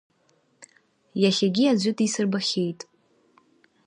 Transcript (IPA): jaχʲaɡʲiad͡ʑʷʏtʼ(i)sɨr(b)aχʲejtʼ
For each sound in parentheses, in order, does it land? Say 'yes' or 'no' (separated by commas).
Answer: yes, yes